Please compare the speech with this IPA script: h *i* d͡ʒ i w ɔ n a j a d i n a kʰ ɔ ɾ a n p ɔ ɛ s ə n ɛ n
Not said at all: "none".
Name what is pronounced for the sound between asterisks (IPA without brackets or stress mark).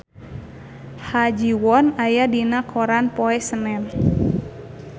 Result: a